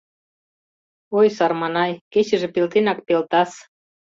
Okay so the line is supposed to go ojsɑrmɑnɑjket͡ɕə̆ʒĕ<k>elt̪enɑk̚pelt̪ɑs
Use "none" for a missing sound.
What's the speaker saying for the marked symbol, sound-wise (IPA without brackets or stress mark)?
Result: p